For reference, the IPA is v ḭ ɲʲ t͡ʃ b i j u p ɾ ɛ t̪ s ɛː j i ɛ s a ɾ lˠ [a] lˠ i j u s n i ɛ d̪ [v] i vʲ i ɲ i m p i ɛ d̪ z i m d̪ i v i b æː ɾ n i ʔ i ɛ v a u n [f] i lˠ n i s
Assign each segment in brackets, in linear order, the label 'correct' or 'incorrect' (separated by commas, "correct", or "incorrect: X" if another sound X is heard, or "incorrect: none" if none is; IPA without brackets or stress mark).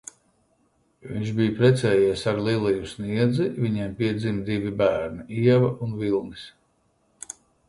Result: incorrect: i, incorrect: z, incorrect: v